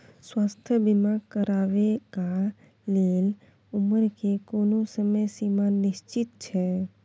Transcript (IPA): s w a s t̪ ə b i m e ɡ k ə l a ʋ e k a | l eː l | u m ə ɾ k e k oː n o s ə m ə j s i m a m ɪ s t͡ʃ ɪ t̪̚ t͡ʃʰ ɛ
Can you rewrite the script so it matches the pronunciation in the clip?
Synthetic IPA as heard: s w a s t̪ʰ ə b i m a ɡ k ə ɾ a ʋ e k a | l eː l | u m ə ɾ k e k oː n o s ə m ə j s i m a n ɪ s t͡ʃ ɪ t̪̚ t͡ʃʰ ɛ